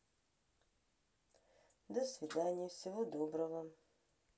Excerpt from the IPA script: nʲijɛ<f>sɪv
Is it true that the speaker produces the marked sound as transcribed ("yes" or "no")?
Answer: yes